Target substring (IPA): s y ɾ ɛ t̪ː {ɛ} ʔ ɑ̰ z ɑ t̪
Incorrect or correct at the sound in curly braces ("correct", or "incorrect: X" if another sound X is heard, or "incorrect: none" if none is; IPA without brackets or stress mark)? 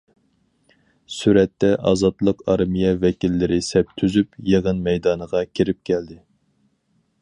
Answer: correct